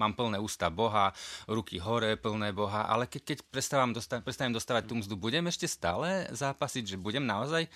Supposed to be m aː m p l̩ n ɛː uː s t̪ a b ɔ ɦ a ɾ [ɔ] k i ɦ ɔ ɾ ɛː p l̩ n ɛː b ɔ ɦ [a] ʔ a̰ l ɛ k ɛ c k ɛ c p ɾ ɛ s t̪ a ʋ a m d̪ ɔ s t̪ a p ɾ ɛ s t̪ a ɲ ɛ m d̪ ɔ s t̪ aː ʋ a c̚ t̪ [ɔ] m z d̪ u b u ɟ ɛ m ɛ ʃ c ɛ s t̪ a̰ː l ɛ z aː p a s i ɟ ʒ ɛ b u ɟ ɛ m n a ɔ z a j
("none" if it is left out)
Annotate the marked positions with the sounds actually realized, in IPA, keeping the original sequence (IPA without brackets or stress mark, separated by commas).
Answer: u, a, u